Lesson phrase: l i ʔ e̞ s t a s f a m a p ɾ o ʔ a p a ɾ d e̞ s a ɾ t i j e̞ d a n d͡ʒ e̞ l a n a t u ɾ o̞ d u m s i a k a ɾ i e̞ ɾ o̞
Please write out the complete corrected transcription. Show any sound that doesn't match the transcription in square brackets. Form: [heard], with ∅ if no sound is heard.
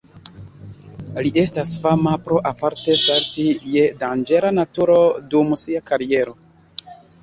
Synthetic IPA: l i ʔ e̞ s t a s f a m a p ɾ o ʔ a p a ɾ [t] e̞ s a ɾ t i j e̞ d a n d͡ʒ e̞ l a n a t u ɾ o̞ d u m s i a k a ɾ i e̞ ɾ o̞